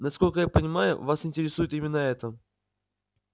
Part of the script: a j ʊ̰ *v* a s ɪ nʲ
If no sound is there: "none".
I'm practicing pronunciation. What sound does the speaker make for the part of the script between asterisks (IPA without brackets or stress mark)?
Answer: v